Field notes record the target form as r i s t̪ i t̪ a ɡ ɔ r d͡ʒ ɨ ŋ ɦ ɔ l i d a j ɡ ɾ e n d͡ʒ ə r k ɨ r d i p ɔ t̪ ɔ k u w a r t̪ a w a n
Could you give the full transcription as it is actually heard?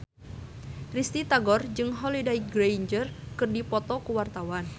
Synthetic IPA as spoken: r i s t̪ i t̪ a ɡ ɔ r d͡ʒ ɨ ŋ ɦ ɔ l i d a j ɡ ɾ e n d͡ʒ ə r k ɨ r d i p ɔ t̪ ɔ k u w a r t̪ a w a n